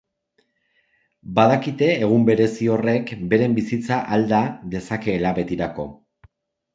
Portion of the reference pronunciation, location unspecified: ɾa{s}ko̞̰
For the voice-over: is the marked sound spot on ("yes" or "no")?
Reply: no